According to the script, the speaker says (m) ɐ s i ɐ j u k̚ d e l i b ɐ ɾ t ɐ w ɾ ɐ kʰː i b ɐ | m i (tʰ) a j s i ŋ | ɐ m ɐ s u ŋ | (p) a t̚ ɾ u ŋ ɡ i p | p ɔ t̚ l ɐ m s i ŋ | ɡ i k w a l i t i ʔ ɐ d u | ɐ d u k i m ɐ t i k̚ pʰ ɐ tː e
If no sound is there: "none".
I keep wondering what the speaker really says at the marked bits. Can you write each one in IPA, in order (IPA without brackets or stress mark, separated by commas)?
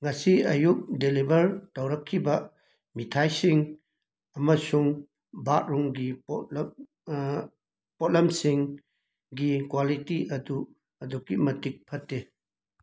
ŋ, tʰ, b